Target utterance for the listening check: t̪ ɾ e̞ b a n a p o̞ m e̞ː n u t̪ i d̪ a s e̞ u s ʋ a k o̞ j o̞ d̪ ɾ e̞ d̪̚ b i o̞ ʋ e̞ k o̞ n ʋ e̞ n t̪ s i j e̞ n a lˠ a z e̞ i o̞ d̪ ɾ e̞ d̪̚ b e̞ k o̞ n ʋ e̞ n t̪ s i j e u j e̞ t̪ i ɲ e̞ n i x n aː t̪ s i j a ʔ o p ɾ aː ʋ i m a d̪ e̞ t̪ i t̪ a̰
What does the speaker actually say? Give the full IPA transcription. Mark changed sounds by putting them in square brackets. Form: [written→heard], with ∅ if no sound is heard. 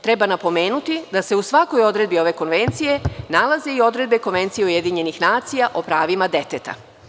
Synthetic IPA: t̪ ɾ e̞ b a n a p o̞ m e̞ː n u t̪ i d̪ a s e̞ u s ʋ a k o̞ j o̞ d̪ ɾ e̞ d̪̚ b i o̞ ʋ e̞ k o̞ n ʋ e̞ n t̪ s i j e̞ n a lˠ a z e̞ i o̞ d̪ ɾ e̞ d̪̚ b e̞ k o̞ n ʋ e̞ n t̪ s i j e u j e̞ [t̪→d̪] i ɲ e̞ n i x n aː t̪ s i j a ʔ o p ɾ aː ʋ i m a d̪ e̞ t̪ [i→e] t̪ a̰